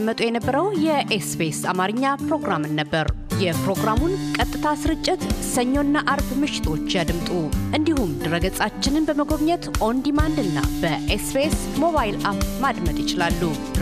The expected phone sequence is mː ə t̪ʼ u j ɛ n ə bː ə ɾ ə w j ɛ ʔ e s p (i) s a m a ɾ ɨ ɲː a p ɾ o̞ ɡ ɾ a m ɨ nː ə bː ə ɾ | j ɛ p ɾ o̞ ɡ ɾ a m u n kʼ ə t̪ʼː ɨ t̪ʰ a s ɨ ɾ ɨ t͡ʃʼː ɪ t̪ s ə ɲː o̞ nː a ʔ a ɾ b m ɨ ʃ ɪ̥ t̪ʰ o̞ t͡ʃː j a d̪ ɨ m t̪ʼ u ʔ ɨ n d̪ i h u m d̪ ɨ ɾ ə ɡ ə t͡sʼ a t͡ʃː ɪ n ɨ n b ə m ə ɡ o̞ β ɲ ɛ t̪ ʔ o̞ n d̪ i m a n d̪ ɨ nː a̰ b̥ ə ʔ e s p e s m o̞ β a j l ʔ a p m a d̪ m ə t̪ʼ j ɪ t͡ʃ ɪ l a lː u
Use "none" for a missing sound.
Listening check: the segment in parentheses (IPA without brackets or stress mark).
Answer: e